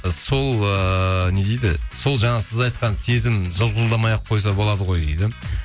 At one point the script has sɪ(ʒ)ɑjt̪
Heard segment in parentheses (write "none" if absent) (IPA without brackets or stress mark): z